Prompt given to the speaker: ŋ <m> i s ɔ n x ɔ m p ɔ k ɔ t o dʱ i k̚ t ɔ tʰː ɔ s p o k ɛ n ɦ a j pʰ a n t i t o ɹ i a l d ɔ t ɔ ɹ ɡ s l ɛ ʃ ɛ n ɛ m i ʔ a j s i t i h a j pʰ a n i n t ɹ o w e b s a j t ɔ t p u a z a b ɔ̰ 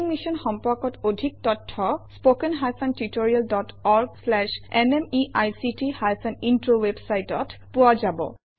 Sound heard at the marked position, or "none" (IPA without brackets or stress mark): m